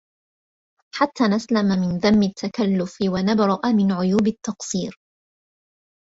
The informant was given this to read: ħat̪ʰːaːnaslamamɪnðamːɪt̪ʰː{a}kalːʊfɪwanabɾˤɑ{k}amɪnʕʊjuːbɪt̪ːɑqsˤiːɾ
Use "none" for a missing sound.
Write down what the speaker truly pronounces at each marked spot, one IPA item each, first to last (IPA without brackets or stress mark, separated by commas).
a, ʔ